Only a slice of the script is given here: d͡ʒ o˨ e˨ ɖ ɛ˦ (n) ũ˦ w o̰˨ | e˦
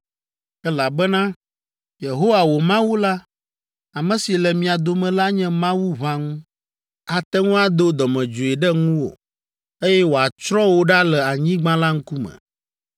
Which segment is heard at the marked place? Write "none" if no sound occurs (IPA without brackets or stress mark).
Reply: ŋ